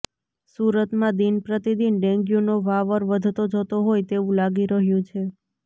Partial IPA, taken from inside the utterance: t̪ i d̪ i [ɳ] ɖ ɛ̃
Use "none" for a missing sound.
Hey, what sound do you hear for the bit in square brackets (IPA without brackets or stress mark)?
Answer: n